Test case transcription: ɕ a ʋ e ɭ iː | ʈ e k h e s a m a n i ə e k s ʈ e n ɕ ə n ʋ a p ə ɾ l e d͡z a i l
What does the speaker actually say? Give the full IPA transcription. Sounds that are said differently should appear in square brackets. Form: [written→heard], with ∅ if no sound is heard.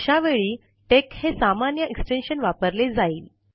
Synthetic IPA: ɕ a ʋ e ɭ iː | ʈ e k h e s a m a n [i→j] ə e k s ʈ e n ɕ ə n ʋ a p ə ɾ l e d͡z a [i→iː] l